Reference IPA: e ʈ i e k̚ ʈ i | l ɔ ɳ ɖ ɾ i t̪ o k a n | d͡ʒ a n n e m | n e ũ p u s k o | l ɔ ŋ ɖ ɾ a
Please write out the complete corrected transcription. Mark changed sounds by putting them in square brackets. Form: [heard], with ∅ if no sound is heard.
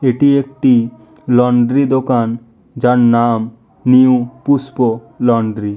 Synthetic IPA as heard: e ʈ i e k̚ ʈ i | l ɔ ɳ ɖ ɾ i [d̪] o k a n | d͡ʒ a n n [a] m | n [i] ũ p u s [p] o | l ɔ [ɳ] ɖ ɾ [i]

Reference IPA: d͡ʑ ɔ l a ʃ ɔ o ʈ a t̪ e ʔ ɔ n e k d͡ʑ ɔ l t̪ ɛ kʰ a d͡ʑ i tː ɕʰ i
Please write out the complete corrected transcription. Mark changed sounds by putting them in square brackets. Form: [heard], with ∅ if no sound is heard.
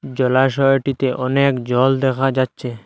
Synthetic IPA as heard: d͡ʑ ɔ l a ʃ ɔ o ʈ [i] t̪ e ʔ ɔ n e k d͡ʑ ɔ l [d̪] ɛ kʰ a d͡ʑ [a] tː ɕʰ [e]

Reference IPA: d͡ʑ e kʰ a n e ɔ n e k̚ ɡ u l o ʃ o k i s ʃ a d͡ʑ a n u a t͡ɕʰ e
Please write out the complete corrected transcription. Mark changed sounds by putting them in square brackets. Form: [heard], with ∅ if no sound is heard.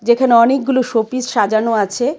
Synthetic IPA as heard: d͡ʑ e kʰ a n e ɔ n e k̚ ɡ u l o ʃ o [p] i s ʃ a d͡ʑ a n [o] a t͡ɕʰ e

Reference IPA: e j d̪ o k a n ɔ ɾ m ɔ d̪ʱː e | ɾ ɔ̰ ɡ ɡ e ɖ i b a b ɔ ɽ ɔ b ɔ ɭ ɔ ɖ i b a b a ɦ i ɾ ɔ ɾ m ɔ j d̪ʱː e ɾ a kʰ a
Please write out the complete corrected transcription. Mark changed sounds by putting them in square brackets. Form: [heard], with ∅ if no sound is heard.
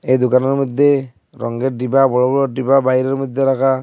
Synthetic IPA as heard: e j d̪ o k a n ɔ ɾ m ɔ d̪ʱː e | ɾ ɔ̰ [ŋ] ɡ e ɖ i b a b ɔ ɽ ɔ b ɔ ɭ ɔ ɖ i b a b a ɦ i ɾ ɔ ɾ m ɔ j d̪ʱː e ɾ a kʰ a

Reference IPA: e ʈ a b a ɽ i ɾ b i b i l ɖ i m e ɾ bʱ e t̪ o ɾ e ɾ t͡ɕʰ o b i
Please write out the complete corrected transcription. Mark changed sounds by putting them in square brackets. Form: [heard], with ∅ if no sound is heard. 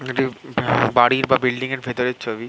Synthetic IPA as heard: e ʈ [i] b a ɽ i ɾ b [a] b i l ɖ i [ŋ] e ɾ bʱ e t̪ o ɾ e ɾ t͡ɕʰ o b i

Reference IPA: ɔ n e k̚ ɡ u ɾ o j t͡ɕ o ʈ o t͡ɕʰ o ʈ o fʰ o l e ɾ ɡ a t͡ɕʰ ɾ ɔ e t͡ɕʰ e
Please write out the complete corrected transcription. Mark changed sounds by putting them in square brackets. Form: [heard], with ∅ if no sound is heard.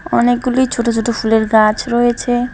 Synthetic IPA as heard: ɔ n e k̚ ɡ u [l] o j [t͡ɕʰ] o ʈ o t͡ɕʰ o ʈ o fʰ [u] l e ɾ ɡ a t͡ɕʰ ɾ ɔ e t͡ɕʰ e

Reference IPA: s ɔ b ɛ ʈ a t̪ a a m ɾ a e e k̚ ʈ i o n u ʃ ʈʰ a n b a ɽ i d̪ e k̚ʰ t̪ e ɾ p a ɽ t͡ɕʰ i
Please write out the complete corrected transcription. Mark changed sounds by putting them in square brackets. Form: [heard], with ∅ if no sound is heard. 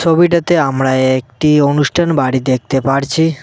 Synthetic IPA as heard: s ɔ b [i] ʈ a t̪ [e] a m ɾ a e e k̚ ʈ i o n u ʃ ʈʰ a n b a ɽ i d̪ e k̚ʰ t̪ e [∅] p a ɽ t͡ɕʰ i

